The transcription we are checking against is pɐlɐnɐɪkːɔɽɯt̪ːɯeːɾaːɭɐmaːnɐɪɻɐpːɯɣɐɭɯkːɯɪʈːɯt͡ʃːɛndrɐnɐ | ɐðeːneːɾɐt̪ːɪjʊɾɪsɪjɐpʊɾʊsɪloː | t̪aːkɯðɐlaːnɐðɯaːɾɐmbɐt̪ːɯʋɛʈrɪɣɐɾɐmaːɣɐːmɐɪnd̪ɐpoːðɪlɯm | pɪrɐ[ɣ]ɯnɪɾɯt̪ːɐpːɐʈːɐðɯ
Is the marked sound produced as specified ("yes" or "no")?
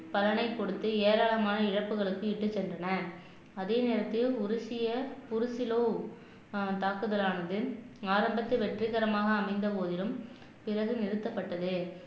yes